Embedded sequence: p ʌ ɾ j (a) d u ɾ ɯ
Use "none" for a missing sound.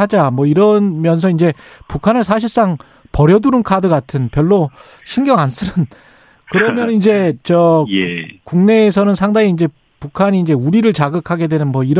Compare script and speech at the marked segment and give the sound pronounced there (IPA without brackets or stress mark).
ʌ